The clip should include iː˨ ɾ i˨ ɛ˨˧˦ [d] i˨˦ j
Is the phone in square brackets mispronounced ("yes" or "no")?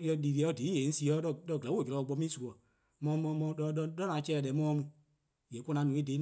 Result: no